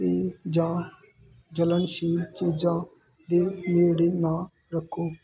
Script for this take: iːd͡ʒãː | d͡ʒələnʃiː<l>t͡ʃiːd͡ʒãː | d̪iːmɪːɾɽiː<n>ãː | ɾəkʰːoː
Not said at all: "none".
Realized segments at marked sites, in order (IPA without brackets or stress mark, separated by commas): l, n